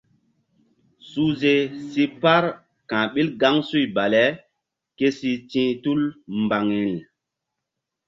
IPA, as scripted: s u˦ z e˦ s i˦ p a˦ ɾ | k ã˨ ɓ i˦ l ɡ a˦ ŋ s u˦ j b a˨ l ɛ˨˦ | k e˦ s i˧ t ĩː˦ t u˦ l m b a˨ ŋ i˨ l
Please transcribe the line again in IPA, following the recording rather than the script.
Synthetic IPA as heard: s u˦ z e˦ s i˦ p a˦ ɾ | k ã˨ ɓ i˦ l ɡ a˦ ŋ s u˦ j b a˨ l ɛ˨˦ | k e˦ s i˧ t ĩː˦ t u˦ l m b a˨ ŋ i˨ l

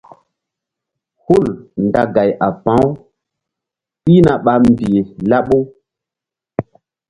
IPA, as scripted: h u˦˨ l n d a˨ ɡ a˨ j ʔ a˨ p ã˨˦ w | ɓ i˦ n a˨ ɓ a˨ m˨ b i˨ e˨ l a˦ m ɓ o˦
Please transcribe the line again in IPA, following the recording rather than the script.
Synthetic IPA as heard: h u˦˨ l n d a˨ ɡ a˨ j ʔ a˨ p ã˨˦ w | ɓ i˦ n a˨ ɓ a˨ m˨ b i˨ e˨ l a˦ ɓ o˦

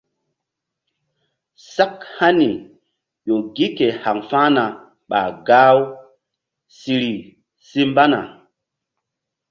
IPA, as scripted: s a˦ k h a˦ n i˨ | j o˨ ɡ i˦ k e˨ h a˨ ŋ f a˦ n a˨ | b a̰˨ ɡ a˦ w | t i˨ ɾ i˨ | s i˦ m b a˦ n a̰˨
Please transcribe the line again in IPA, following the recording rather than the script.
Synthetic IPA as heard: s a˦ k h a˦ n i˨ | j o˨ ɡ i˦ k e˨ h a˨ ŋ f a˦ n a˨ | ɓ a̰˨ ɡ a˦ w | s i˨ ɾ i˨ | s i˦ m b a˦ n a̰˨

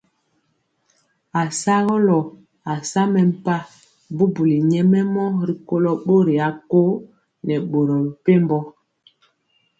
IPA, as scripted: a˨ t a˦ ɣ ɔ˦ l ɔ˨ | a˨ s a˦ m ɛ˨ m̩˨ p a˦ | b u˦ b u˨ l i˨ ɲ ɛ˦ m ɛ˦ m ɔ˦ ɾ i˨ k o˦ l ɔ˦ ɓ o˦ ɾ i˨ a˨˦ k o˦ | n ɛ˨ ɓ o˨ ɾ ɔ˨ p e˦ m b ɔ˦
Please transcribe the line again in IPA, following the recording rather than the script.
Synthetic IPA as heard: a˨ s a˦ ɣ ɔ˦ l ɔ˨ | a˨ s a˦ m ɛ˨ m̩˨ p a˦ | b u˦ b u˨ l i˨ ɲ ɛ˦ m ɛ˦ m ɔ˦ ɾ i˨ k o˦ l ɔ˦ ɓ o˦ ɾ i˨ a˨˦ k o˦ | n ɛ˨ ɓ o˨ ɾ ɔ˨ p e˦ m b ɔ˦

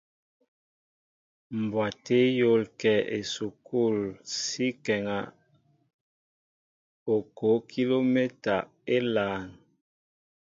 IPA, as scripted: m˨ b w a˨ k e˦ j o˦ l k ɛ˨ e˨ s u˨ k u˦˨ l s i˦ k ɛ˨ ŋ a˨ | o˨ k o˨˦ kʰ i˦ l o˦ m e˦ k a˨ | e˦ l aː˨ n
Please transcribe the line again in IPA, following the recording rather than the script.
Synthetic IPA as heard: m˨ b w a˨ t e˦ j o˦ l k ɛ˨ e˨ s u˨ k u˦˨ l s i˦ k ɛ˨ ŋ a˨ | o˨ k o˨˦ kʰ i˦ l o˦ m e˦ t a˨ | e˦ l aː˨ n

